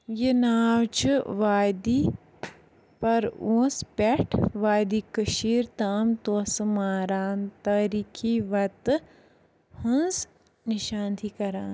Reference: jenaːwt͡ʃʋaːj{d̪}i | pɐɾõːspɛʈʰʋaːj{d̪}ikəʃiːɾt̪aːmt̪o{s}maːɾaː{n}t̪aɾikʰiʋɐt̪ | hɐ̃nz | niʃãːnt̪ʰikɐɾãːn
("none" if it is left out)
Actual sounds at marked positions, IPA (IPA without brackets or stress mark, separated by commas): d̪, d̪, s, n